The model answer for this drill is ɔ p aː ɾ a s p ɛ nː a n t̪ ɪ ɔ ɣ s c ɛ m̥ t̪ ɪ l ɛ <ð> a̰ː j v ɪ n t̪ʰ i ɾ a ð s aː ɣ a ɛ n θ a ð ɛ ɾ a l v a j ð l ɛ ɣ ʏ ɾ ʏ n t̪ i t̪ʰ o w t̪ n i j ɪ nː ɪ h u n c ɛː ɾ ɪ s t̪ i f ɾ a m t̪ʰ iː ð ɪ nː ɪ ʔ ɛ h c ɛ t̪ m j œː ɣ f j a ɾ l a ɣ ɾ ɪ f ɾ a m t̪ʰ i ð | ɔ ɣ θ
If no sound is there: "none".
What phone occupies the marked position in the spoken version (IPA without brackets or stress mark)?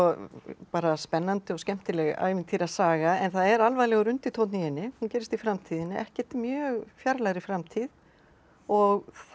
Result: ɣ